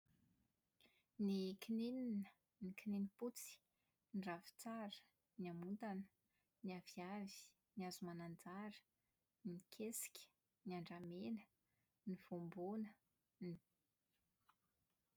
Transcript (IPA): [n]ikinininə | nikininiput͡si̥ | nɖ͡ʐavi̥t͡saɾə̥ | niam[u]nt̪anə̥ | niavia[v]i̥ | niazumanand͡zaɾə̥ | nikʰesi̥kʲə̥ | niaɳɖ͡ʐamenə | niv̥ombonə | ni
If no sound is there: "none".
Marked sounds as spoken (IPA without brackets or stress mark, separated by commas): n, u, v